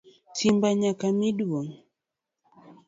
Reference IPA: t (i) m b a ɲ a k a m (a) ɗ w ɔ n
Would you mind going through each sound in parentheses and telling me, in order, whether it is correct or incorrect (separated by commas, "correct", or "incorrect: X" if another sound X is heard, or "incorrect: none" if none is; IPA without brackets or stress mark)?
correct, incorrect: i